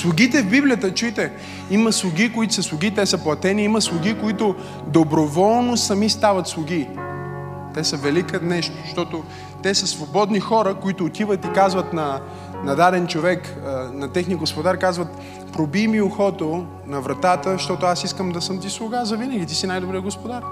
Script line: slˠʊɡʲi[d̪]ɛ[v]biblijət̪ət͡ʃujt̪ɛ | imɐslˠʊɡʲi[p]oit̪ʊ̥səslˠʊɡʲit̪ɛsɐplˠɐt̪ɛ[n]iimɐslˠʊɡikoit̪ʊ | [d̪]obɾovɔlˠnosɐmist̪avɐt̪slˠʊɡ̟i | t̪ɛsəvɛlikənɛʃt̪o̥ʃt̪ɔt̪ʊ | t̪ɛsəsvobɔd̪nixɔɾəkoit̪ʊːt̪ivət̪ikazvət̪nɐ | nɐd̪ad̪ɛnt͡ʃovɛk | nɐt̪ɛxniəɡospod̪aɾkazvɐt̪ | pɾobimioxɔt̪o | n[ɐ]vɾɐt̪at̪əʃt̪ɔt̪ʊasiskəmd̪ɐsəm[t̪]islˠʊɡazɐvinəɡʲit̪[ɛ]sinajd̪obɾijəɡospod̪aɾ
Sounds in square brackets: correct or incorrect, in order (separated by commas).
incorrect, correct, incorrect, correct, correct, correct, correct, incorrect